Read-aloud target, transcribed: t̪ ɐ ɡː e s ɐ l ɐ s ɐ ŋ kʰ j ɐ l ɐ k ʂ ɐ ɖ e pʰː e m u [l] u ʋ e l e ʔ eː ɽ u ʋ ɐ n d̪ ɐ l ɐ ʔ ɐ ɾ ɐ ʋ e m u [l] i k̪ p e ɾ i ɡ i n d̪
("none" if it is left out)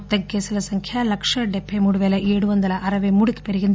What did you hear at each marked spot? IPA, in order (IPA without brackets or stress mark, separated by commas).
ɽ, ɽ